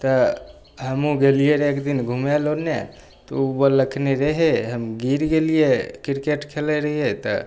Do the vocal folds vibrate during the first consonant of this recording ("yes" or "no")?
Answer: no